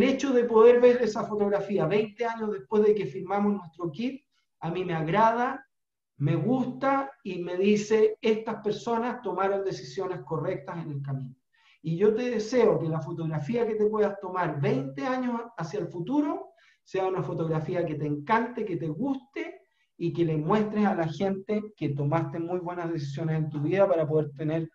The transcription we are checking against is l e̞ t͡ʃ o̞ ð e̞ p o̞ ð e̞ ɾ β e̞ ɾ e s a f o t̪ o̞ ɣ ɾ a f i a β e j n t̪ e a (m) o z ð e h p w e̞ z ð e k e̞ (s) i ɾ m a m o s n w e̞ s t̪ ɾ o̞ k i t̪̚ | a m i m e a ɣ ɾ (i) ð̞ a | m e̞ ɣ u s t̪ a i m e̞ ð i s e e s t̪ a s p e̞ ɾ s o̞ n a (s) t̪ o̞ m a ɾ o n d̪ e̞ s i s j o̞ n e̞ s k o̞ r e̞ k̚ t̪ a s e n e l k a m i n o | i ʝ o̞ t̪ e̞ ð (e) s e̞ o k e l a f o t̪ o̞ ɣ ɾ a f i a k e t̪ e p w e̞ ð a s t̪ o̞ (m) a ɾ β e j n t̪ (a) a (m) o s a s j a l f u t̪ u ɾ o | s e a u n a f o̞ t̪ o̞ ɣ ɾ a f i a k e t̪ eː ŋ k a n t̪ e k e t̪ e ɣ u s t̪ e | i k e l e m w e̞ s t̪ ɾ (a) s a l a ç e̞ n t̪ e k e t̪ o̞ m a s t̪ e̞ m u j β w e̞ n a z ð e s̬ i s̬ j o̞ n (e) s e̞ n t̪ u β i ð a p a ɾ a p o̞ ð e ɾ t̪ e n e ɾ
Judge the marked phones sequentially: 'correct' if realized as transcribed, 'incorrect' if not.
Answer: incorrect: ɲ, incorrect: f, incorrect: a, correct, correct, correct, incorrect: e, incorrect: ɲ, incorrect: e, correct

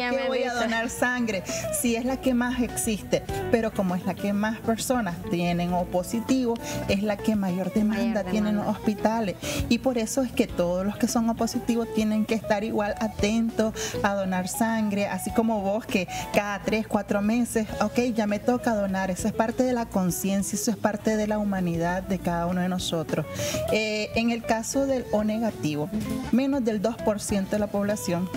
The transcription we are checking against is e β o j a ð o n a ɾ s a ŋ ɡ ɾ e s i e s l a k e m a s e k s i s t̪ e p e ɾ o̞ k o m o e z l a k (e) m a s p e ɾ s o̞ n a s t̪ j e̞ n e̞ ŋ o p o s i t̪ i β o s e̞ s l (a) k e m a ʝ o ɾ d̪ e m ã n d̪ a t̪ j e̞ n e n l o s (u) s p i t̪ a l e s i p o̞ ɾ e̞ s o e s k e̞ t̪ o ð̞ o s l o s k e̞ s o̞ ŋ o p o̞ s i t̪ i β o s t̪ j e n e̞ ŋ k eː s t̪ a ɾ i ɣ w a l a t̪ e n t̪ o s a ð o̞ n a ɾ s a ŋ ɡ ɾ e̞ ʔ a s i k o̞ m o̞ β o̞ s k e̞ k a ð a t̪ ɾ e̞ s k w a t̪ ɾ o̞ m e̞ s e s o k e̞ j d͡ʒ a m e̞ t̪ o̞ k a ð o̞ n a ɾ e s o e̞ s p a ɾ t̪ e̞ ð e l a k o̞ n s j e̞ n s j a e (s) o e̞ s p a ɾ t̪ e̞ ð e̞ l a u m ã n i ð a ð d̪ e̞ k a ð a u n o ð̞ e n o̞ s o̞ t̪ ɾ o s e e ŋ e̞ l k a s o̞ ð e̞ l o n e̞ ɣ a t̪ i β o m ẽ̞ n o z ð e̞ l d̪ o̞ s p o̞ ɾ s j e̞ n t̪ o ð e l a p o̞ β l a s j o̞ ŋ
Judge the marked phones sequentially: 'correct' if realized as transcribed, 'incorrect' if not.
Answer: correct, correct, incorrect: o, correct

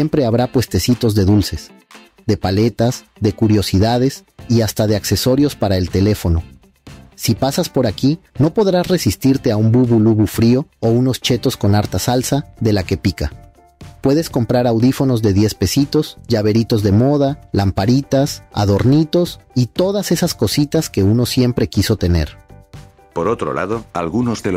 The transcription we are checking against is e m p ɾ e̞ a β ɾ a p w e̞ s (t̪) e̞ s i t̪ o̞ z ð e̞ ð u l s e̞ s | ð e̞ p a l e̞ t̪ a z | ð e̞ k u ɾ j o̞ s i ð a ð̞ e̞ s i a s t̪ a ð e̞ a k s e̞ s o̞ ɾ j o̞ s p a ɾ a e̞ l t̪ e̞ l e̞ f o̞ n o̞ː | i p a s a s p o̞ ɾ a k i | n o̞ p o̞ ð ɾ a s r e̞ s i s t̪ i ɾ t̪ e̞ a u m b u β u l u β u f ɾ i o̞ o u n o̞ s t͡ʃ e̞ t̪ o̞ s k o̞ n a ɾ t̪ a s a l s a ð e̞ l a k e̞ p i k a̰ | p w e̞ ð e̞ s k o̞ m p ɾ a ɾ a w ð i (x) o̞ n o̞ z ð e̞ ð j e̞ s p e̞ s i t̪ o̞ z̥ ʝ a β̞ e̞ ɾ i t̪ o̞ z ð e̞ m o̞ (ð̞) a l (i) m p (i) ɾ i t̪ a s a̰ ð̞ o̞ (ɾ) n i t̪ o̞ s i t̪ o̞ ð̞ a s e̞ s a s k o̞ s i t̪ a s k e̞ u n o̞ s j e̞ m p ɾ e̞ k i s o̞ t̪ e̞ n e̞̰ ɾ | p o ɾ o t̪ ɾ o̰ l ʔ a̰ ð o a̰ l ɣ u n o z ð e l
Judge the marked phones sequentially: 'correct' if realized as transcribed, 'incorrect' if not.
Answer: correct, incorrect: f, correct, incorrect: a, incorrect: a, correct

